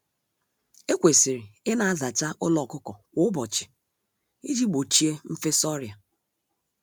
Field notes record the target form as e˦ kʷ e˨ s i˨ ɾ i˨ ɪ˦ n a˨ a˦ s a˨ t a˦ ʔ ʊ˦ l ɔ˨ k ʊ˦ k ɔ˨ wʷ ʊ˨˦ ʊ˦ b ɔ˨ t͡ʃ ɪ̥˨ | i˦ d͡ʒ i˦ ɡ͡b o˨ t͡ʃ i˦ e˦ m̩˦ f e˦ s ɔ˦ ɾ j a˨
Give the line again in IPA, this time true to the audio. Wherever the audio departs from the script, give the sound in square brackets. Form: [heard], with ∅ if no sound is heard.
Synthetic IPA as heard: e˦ kʷ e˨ s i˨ ɾ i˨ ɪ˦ n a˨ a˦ [z] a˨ [t͡ʃ] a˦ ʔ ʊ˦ l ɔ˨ k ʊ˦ k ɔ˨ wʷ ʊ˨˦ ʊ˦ b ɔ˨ t͡ʃ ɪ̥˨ | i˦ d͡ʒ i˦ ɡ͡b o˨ t͡ʃ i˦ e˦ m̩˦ f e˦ s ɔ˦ ɾ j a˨